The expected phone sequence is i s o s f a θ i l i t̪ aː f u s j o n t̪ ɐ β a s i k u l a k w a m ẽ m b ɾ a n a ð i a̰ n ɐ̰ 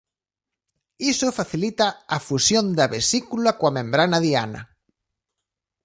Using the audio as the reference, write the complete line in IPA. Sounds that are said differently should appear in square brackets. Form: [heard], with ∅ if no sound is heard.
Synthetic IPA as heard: i s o [∅] f a θ i l i t̪ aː f u s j o n [d̪] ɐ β [e] s i k u l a k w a m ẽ m b ɾ a n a ð i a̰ n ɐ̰